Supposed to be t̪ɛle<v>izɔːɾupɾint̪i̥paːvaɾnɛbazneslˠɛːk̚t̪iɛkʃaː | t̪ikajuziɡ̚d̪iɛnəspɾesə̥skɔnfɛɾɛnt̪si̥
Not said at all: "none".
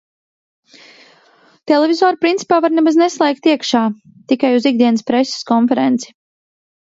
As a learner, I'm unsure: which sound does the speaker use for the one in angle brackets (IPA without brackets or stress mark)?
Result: v